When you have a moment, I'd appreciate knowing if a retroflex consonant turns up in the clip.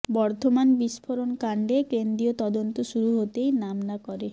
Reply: yes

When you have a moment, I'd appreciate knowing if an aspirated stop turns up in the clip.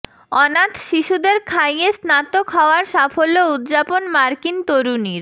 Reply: yes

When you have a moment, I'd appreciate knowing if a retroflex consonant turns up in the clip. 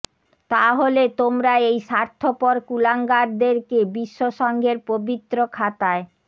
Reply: no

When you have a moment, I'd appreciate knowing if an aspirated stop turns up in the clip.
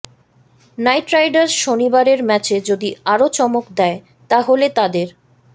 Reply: no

